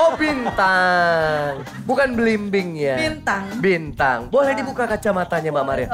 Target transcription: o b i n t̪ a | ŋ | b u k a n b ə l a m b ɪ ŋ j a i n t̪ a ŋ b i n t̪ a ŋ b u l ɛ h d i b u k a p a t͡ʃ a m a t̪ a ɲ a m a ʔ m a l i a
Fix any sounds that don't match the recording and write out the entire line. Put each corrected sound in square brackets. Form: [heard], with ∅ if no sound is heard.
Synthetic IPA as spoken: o b i n t̪ a | ŋ | b u k a n b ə l [i] m b ɪ ŋ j a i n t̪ a ŋ b i n t̪ a ŋ b [o] l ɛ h d i b u k a [k] a t͡ʃ a m a t̪ a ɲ a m a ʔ m a [ɾ] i a